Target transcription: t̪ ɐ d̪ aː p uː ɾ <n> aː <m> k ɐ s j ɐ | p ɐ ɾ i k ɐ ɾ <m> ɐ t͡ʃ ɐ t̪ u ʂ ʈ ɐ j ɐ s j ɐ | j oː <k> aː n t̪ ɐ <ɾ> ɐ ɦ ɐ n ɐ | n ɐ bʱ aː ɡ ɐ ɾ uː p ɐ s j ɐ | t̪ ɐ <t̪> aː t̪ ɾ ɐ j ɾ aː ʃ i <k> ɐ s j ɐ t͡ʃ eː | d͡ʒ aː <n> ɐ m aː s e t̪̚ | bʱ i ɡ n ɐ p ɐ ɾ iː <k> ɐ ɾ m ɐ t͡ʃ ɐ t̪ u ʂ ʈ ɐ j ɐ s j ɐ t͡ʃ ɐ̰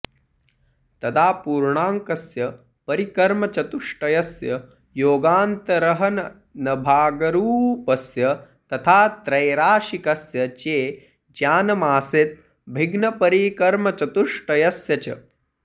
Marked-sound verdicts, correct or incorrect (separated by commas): incorrect, incorrect, correct, incorrect, correct, incorrect, correct, correct, correct